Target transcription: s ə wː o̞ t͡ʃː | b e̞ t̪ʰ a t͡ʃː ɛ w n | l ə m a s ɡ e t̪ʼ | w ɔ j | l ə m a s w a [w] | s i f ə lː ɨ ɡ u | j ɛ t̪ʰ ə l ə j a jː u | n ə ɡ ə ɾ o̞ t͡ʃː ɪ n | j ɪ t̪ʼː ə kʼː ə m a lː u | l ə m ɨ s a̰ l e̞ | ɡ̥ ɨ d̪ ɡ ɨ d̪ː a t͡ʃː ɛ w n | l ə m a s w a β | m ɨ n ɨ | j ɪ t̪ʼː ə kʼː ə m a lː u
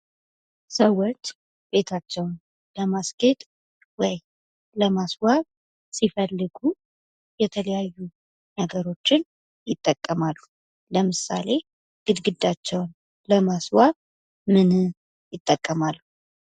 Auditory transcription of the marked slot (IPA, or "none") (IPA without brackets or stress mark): β